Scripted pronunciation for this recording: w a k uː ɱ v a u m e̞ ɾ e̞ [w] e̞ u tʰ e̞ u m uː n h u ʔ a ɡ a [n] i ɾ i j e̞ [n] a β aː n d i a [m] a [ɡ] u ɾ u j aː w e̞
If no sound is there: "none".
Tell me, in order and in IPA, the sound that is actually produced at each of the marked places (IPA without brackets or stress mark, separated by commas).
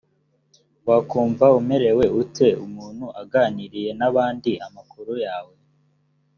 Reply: w, n, n, m, k